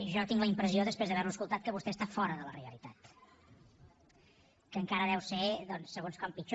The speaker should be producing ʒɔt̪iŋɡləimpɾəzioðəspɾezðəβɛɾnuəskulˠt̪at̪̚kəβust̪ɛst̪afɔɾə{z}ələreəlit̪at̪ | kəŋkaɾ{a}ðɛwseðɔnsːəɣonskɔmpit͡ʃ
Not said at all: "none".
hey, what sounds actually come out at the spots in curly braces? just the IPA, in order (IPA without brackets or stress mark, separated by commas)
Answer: ð, ə